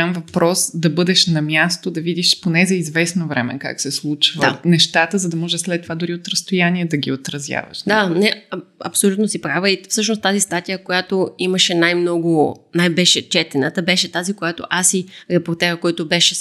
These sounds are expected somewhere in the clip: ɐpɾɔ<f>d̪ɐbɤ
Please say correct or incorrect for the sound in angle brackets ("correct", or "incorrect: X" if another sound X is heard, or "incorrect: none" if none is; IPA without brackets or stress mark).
incorrect: s